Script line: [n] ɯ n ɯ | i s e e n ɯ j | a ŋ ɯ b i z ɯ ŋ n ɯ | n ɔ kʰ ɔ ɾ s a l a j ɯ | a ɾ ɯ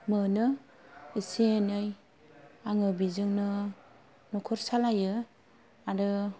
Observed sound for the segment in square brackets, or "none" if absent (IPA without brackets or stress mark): m